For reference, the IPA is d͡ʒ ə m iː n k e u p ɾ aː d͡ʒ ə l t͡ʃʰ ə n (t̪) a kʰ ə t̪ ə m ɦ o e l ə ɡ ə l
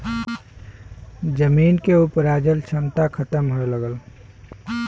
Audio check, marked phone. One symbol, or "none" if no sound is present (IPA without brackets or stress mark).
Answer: t̪